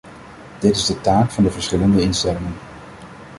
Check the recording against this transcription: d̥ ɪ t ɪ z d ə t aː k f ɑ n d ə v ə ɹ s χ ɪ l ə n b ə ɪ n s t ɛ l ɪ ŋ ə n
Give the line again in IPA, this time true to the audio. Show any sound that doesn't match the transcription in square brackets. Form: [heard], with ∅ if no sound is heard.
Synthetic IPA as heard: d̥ ɪ t ɪ z d ə t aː k f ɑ n d ə v ə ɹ s χ ɪ l ə n [d] ə ɪ n s t ɛ l ɪ ŋ ə n